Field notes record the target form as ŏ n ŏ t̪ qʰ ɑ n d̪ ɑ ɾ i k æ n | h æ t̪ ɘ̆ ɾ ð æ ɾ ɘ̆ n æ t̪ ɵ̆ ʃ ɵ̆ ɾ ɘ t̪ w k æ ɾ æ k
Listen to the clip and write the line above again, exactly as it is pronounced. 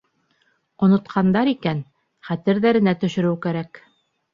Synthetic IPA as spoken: ŏ n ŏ t̪ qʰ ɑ n d̪ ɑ ɾ i k æ n | χ æ t̪ ɘ̆ ɾ ð æ ɾ ɘ̆ n æ t̪ ɵ̆ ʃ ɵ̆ ɾ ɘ w k æ ɾ æ k